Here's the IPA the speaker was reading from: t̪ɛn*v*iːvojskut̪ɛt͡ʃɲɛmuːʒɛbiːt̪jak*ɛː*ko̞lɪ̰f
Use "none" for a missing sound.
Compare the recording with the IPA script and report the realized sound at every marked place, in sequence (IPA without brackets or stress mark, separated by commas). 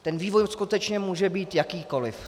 v, iː